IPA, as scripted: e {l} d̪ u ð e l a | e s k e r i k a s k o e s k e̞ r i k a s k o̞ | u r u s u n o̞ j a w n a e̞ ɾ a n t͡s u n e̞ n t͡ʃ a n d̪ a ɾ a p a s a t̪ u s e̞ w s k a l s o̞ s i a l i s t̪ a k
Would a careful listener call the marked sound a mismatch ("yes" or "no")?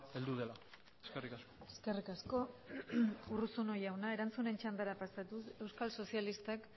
no